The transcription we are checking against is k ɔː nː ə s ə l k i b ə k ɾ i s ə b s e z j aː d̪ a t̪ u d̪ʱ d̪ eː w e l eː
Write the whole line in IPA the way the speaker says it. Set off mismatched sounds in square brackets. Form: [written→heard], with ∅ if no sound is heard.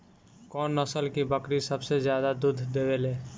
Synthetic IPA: k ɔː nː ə s ə l k i b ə k ɾ i s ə b s e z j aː d̪ a [t̪→d̪] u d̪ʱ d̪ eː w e l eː